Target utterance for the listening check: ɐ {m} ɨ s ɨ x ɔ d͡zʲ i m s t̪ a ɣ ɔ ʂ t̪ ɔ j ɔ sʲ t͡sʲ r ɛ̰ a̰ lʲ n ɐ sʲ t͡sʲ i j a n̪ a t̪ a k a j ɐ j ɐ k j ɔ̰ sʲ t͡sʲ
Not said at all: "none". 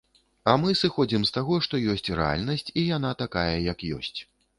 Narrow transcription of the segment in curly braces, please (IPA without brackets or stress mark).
m